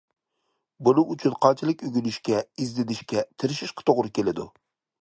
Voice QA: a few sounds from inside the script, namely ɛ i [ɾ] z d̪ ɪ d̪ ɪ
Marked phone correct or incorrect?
incorrect